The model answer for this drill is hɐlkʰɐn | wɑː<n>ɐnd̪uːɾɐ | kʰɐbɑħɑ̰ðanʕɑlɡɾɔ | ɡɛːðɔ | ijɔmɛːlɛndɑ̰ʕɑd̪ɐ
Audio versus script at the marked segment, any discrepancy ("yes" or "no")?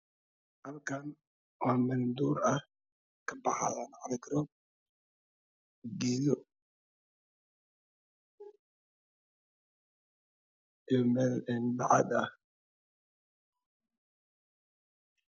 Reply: yes